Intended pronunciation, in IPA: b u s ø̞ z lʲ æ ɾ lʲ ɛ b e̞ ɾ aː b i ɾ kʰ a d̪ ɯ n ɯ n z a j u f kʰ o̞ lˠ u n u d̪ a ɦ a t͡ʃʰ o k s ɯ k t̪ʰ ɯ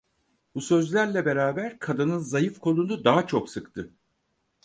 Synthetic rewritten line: b u s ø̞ z lʲ æ ɾ lʲ ɛ b e̞ ɾ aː b æ ɾ kʰ a d̪ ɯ n ɯ n z a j ɯ f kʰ o̞ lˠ u n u d̪ a ɦ a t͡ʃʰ o k s ɯ k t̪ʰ ɯ

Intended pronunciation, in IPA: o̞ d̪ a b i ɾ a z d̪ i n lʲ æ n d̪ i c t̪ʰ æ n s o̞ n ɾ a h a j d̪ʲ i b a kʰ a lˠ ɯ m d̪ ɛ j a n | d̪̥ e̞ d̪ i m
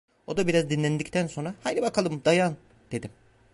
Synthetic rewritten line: o̞ d̪ a b i ɾ a z d̪ i n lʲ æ n d̪ i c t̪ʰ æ n s o̞ n ɾ a h a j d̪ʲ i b a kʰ a lˠ ɯ m d̪ a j a n | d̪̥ e̞ d̪ i m

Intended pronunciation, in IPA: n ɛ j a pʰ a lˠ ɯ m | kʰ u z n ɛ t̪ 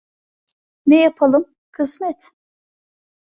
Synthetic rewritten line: n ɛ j a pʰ a lˠ ɯ m | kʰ ɯ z m ɛ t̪

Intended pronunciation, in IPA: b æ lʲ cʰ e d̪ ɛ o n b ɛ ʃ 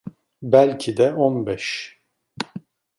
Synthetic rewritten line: b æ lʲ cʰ i d̪ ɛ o n b ɛ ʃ

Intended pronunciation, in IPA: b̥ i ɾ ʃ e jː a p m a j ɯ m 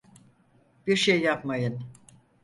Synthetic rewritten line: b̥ i ɾ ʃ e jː a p m a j ɯ n

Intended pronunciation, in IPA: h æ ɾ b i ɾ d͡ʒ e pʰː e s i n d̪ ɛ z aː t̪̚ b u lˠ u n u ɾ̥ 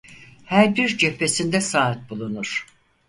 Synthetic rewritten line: h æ ɾ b i ɾ d͡ʒ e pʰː e s i n d̪ ɛ s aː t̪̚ b u lˠ u n u ɾ̥

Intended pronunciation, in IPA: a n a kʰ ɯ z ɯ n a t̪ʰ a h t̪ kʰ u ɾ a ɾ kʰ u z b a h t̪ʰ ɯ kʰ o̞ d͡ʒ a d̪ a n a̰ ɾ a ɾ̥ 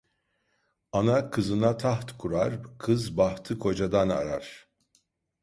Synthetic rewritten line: a n a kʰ ɯ z ɯ n a t̪ʰ a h t̪ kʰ u ɾ a ɾ kʰ ɯ z b a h t̪ʰ ɯ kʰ o̞ d͡ʒ a d̪ a n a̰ ɾ a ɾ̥

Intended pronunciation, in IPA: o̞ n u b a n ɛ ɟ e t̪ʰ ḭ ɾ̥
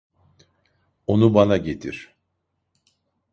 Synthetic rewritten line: o̞ n u b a n a ɟ e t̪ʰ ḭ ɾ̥

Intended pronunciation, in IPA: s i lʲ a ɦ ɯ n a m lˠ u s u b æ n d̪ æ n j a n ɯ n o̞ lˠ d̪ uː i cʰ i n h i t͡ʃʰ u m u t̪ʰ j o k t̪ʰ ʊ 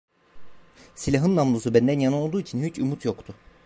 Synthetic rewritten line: s i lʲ a ɦ ɯ nː a m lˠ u s u b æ n d̪ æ n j a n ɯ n o̞ lˠ d̪ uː i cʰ i n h y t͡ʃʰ u m u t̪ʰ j o k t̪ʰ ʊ

